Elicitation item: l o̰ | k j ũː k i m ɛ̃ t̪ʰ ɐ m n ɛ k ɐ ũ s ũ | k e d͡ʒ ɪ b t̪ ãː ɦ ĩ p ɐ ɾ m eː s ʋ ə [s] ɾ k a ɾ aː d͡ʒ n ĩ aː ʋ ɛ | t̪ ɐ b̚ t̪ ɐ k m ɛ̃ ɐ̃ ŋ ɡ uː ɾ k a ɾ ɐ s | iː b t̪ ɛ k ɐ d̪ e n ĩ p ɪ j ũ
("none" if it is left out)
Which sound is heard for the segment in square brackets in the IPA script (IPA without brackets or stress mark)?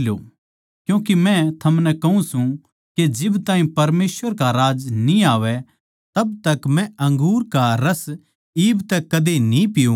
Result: none